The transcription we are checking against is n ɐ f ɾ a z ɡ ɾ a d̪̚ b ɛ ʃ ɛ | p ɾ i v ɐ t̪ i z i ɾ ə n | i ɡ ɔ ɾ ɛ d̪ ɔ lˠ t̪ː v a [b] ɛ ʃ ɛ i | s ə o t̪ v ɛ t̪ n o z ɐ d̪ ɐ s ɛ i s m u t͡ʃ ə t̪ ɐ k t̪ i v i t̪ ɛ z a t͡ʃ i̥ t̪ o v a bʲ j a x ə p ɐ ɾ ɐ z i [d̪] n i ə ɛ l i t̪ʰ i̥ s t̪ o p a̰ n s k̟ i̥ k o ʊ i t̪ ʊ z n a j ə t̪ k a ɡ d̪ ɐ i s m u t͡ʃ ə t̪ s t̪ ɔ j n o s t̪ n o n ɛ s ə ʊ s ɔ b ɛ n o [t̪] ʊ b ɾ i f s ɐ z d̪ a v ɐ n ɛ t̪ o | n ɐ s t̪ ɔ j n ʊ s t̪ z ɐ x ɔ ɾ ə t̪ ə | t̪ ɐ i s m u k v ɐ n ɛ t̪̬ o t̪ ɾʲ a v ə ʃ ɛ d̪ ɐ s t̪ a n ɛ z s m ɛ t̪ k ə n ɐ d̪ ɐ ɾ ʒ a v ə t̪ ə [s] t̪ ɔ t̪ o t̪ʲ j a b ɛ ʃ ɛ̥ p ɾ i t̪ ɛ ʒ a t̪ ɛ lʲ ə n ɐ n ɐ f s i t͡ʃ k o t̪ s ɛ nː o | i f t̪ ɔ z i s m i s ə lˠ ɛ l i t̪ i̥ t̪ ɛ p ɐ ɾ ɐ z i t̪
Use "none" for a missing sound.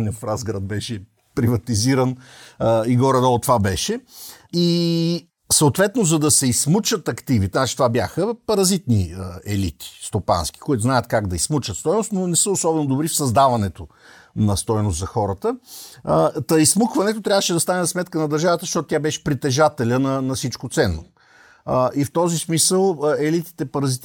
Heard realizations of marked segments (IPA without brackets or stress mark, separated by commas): b, t̪, d̪, ʃ